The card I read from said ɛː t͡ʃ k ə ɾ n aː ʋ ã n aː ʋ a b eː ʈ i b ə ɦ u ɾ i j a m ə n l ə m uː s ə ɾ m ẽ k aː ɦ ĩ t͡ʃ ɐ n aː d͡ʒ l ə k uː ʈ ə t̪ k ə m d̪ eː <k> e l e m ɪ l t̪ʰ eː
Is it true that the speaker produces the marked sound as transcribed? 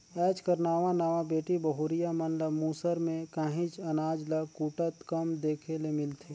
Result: no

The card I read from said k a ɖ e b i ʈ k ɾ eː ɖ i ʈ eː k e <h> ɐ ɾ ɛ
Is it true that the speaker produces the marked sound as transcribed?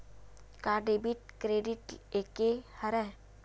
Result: yes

